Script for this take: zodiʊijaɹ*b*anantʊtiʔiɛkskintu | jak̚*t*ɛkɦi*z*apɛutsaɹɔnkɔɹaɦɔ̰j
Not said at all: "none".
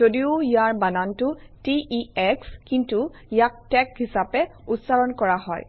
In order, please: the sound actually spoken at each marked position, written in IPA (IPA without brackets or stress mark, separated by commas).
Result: b, t, s